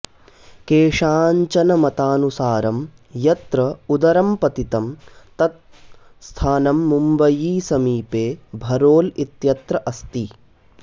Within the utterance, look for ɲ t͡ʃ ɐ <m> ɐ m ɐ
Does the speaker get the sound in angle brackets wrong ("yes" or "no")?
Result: yes